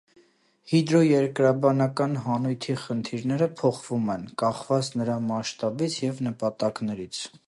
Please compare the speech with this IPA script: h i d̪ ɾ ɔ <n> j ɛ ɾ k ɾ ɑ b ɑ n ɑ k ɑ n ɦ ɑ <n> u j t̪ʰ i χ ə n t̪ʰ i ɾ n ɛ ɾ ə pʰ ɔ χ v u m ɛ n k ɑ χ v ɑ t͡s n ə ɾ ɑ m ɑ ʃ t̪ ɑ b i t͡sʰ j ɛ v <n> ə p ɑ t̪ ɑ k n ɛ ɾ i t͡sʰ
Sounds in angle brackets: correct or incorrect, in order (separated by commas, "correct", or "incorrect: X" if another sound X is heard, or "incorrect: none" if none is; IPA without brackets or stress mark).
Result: incorrect: none, correct, correct